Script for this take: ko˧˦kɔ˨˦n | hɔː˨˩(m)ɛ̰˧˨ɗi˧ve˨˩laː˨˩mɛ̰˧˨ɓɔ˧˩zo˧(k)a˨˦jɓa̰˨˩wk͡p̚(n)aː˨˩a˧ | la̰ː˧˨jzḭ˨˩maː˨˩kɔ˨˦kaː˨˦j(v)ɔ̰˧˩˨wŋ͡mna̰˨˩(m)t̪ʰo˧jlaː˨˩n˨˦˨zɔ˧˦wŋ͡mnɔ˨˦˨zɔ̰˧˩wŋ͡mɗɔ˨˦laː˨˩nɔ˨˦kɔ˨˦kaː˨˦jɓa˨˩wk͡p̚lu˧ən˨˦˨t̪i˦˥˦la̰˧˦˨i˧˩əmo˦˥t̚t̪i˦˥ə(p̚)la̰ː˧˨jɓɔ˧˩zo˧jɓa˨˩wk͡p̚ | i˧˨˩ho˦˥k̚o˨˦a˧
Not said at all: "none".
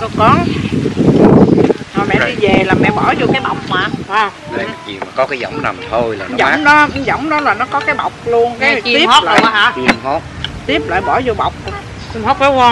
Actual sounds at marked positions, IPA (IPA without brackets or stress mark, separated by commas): m, k, m, z, m, p̚